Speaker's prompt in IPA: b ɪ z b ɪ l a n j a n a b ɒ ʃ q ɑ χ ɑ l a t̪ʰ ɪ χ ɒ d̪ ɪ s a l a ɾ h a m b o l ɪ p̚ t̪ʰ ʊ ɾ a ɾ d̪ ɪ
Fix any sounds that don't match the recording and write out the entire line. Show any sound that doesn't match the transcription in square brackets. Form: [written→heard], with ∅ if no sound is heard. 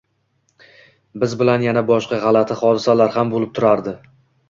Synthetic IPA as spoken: b ɪ z b ɪ l a n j a n a b ɒ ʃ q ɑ [χ→ʁ] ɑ l a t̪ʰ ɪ χ ɒ d̪ ɪ s a l a ɾ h a m b o l ɪ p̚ t̪ʰ ʊ ɾ a ɾ d̪ ɪ